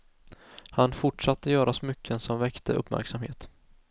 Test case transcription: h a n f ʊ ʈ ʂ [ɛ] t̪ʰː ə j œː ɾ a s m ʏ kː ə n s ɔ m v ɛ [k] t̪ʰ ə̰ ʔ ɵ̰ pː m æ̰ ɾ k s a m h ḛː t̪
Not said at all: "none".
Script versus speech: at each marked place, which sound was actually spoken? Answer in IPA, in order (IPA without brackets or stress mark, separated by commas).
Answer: a, k